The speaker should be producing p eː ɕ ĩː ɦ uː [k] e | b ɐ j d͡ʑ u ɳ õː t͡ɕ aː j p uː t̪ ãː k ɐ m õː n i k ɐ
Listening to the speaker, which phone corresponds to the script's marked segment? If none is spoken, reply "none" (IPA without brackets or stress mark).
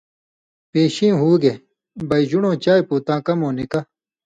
ɡ